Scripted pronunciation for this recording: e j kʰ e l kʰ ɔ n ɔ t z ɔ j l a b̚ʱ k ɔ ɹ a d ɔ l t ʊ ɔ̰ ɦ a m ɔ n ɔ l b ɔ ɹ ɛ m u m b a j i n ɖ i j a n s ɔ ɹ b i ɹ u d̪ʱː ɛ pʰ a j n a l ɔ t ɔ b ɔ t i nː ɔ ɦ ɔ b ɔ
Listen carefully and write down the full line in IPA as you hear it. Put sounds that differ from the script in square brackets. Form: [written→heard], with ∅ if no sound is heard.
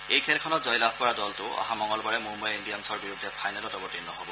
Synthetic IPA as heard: e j kʰ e l kʰ ɔ n ɔ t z ɔ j l a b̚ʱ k ɔ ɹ a d ɔ l t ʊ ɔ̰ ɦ a m ɔ [n→ŋ] ɔ l b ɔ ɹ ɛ m u m b a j i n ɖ i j a n s ɔ ɹ b i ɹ u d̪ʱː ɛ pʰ a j n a l ɔ t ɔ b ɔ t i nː ɔ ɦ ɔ b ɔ